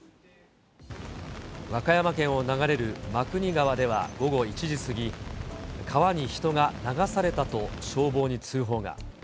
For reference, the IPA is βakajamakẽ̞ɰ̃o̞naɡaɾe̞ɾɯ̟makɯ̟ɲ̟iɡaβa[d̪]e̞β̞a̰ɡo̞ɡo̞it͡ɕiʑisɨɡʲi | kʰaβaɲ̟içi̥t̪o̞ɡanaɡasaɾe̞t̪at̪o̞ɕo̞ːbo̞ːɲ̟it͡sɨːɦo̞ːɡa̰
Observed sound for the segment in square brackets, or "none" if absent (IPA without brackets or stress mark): d̪